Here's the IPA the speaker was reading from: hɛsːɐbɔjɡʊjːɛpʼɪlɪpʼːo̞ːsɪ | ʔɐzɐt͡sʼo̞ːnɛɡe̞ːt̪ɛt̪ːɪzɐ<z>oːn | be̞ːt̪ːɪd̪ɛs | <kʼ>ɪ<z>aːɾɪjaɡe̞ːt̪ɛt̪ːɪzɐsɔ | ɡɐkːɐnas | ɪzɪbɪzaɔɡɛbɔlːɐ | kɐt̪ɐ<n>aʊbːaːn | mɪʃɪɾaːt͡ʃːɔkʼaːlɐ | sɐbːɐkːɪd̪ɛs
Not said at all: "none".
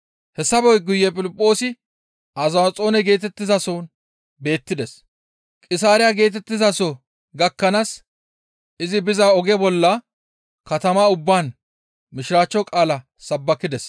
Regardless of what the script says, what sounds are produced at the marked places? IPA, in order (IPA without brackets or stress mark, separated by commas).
s, kʼ, s, m